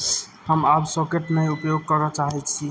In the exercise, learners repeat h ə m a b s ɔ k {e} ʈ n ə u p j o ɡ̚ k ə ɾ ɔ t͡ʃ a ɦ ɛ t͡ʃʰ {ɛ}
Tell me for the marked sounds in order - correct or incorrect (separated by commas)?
correct, incorrect